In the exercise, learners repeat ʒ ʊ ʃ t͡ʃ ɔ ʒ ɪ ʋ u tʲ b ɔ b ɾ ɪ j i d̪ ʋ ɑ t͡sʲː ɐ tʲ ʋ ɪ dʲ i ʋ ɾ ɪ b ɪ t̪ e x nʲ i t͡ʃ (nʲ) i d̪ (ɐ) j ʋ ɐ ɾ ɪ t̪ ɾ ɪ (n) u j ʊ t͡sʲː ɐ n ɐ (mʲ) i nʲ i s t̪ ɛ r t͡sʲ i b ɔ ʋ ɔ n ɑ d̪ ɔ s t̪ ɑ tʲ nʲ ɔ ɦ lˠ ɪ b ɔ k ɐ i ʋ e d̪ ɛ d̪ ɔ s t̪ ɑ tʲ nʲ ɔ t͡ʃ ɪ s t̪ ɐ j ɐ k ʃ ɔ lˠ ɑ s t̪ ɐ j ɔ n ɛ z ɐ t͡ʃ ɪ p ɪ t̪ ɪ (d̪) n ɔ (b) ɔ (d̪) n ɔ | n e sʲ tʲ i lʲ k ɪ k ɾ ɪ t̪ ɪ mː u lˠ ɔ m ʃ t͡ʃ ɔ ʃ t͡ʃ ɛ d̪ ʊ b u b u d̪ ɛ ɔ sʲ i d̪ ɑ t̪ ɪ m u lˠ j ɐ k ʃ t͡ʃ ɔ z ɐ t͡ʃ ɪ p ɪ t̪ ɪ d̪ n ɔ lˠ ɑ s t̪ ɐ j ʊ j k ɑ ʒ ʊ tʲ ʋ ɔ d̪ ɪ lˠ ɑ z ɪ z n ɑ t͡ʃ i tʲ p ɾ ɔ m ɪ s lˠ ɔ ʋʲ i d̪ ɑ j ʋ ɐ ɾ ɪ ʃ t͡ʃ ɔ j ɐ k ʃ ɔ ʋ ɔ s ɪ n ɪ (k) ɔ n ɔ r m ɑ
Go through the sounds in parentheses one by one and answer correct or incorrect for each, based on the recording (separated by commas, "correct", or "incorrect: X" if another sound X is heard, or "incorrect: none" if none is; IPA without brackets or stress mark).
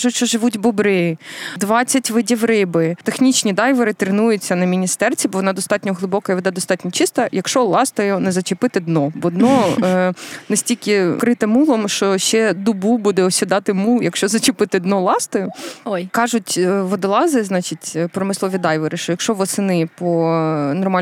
correct, incorrect: ɑ, correct, correct, correct, correct, correct, incorrect: p